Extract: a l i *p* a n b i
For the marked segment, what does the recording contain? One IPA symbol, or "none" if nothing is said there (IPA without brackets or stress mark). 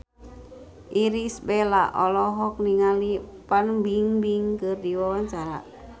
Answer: p